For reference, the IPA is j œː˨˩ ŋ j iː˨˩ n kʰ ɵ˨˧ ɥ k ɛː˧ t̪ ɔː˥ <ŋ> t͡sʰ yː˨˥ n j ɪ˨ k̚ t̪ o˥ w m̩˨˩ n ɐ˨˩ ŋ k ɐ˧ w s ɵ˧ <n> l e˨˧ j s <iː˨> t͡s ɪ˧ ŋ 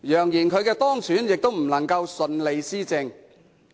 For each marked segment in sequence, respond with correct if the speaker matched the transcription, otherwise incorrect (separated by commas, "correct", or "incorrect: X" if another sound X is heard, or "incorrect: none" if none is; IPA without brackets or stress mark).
correct, correct, incorrect: iː˥